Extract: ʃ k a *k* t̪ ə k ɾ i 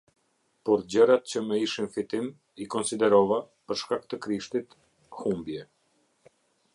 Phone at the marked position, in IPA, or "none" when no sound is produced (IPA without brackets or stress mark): k